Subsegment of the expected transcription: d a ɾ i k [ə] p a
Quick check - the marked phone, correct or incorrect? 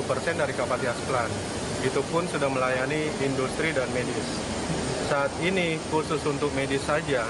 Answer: incorrect